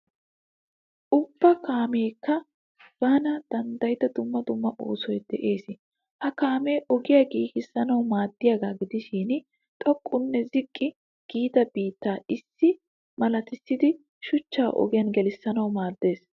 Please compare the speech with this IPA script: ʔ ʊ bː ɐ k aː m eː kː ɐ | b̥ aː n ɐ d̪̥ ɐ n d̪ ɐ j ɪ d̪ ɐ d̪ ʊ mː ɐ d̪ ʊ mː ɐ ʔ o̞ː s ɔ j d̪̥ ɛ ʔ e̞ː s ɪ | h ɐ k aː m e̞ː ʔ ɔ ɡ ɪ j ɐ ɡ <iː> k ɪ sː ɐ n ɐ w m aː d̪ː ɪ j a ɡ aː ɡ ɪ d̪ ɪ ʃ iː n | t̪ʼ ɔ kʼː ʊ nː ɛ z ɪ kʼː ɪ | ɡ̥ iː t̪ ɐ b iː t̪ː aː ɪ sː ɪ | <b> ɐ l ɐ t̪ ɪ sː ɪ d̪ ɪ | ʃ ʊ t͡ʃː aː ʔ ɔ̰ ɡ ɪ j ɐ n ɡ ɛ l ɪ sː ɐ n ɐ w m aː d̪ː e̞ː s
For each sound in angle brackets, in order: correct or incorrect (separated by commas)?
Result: correct, incorrect